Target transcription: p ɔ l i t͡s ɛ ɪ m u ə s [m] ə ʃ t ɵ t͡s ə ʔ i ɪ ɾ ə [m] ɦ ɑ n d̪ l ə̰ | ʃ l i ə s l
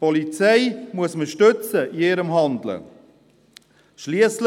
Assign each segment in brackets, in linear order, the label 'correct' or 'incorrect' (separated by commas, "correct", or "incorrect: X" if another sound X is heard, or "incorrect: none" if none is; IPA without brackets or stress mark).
correct, correct